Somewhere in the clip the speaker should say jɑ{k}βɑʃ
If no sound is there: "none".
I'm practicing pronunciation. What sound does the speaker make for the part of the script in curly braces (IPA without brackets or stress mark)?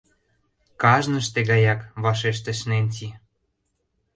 k